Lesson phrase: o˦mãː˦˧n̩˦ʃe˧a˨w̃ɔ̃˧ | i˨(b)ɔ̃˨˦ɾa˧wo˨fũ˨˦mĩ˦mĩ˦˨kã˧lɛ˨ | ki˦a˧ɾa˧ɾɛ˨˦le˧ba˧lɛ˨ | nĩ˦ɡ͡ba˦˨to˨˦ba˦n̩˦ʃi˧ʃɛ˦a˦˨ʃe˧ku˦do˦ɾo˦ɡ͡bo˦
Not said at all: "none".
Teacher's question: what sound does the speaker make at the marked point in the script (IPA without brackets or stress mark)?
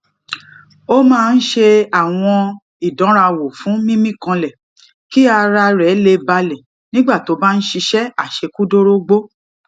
d